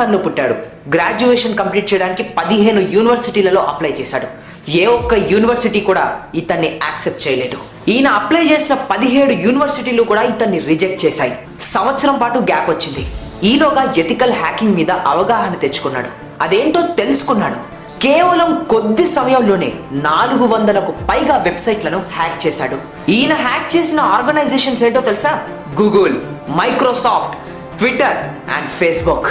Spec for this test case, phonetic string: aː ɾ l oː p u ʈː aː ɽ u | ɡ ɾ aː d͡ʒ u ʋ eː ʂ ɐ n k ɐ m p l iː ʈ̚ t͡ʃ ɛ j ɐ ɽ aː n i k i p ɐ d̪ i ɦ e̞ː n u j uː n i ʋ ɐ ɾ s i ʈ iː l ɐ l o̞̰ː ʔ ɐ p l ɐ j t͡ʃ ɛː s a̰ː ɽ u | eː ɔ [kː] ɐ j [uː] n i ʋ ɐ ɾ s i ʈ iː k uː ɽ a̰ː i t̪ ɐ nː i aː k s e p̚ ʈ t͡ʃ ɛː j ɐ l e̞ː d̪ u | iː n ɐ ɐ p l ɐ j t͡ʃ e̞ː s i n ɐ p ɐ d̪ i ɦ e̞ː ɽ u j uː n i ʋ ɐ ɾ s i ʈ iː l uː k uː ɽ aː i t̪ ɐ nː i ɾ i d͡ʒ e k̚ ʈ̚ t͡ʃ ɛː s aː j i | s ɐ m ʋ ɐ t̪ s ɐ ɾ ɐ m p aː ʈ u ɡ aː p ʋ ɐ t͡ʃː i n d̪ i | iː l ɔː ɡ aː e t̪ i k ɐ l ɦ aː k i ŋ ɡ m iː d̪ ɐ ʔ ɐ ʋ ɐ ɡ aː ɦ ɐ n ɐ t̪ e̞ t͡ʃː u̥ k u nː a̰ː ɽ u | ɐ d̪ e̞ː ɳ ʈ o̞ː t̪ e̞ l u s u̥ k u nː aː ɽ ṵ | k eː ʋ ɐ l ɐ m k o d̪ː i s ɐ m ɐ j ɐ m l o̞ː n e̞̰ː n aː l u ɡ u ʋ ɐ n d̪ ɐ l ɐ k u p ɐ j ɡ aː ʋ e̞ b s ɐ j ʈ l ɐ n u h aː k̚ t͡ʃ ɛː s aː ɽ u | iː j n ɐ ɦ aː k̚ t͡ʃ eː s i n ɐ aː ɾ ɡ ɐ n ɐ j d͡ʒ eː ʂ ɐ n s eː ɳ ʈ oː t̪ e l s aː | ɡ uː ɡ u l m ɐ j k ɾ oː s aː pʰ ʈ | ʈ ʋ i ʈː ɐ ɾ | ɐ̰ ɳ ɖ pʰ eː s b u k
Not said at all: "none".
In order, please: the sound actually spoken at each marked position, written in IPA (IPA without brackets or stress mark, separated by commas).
kː, uː